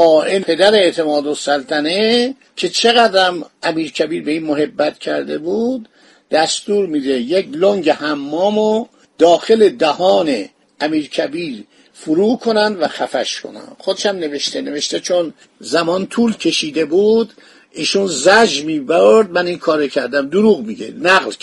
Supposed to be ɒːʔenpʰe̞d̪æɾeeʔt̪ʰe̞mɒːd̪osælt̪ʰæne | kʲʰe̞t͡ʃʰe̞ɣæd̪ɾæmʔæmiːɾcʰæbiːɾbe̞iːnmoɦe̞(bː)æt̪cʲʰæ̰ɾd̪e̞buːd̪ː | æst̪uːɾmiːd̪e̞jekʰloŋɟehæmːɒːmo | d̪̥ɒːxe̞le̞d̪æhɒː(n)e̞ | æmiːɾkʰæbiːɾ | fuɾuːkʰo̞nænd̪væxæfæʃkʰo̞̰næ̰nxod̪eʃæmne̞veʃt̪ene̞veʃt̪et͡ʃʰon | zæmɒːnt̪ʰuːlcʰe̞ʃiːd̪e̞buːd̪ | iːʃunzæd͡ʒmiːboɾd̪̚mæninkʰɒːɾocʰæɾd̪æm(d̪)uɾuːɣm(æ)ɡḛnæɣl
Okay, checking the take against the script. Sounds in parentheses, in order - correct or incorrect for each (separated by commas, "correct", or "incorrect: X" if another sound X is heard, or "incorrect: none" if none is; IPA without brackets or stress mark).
correct, correct, correct, incorrect: i